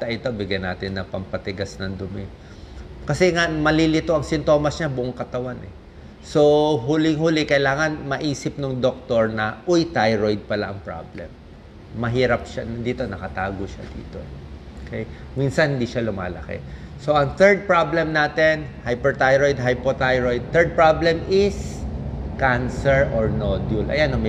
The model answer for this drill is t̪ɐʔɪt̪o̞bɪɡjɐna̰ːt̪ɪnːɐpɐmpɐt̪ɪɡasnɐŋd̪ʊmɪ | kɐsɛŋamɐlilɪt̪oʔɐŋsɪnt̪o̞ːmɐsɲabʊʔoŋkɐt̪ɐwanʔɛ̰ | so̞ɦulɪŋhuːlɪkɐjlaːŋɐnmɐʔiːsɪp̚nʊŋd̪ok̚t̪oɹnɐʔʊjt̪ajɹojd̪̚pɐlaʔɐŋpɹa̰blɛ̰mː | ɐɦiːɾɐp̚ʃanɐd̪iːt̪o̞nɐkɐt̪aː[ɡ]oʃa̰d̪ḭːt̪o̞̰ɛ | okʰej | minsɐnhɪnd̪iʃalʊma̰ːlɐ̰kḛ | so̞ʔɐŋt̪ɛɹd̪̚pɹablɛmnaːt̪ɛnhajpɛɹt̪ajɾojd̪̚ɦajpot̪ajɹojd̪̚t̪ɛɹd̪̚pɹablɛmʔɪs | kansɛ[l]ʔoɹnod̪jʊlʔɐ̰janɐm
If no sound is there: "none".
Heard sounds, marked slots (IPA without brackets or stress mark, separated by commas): ɡ, ɹ